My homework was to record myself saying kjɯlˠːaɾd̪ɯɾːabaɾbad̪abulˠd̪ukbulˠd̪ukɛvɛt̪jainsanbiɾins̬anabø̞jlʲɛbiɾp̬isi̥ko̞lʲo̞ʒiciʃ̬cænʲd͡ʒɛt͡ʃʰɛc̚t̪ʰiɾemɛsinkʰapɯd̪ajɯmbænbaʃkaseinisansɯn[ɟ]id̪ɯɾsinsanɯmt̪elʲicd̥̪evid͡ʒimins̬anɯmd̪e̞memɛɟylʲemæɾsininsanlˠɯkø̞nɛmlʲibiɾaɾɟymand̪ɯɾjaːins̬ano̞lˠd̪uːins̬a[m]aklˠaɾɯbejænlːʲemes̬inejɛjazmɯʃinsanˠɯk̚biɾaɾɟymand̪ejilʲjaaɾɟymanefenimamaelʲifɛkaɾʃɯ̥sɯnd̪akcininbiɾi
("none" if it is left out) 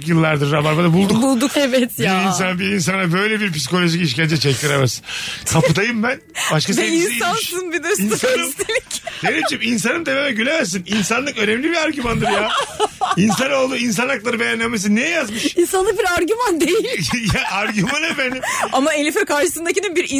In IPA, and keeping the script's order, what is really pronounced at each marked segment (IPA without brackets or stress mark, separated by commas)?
b, n